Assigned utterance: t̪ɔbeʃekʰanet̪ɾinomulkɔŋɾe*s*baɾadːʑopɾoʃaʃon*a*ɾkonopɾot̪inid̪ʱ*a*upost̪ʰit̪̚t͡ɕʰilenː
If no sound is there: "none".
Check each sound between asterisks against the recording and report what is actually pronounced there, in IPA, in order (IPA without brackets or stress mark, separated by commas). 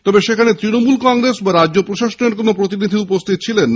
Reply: s, e, i